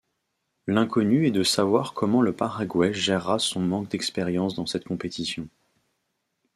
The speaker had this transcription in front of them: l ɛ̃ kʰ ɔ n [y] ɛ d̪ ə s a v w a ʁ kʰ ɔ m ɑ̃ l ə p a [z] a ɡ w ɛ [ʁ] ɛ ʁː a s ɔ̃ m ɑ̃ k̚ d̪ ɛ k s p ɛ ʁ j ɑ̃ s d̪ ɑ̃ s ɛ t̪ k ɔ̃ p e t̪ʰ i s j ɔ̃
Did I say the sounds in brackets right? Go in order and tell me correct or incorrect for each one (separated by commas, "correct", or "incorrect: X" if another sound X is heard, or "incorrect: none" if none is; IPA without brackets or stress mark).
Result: correct, incorrect: ʁ, incorrect: ʒ